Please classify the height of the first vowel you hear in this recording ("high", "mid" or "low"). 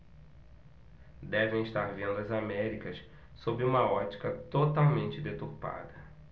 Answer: mid